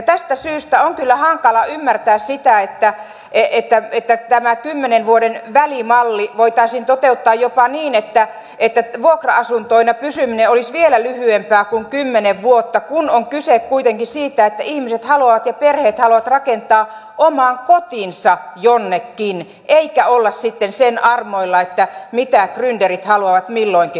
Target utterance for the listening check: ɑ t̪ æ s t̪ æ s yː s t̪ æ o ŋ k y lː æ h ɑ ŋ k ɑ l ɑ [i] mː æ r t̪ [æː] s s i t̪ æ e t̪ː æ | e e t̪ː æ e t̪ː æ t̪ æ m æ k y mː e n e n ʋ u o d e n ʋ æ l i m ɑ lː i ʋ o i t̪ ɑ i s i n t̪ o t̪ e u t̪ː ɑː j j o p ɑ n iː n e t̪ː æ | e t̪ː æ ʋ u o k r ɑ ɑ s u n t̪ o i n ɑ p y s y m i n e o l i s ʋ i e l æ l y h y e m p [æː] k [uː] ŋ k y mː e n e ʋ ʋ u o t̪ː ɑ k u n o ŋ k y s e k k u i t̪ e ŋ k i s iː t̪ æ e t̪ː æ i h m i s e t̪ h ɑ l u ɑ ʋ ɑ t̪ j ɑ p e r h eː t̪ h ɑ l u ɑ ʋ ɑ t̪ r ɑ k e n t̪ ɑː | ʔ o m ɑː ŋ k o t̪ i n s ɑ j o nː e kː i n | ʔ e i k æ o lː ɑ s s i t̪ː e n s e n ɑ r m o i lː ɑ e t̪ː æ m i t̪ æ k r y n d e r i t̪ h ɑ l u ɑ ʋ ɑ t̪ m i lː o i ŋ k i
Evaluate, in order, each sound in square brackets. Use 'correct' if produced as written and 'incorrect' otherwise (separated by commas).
incorrect, correct, correct, incorrect